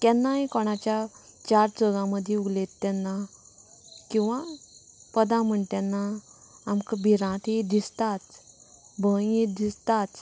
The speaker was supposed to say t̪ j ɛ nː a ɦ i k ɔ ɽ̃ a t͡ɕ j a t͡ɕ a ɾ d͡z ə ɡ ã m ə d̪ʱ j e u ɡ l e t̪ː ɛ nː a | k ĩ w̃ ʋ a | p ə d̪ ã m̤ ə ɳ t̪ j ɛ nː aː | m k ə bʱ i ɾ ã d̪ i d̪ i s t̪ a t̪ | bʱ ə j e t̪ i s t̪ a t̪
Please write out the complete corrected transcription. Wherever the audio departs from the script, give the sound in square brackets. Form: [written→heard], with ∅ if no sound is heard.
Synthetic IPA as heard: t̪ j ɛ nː a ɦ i k ɔ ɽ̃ a t͡ɕ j a t͡ɕ a ɾ d͡z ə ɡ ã m ə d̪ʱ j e u ɡ l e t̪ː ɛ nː a | k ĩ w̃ ʋ a | p ə d̪ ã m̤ ə ɳ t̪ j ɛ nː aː | m k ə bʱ i ɾ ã [d̪→t̪] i d̪ i s t̪ a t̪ | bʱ ə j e [t̪→d̪] i s t̪ a t̪